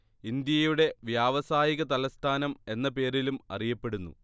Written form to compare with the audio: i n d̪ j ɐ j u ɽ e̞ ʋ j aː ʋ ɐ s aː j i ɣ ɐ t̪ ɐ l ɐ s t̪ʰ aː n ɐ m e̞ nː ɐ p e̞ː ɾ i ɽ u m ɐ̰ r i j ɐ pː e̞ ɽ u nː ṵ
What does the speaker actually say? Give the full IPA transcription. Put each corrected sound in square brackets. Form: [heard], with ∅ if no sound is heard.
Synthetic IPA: i n d̪ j ɐ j u ɽ e̞ ʋ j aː ʋ ɐ s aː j i ɣ ɐ t̪ ɐ l ɐ s t̪ʰ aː n ɐ m e̞ nː ɐ p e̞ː ɾ i [l] u m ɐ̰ r i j ɐ pː e̞ ɽ u nː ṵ